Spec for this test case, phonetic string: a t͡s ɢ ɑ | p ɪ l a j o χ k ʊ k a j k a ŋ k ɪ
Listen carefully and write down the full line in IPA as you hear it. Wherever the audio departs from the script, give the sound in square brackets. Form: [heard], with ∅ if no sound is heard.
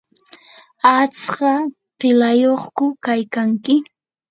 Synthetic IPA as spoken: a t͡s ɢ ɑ | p ɪ l a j o χ k ʊ k a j k a ŋ k ɪ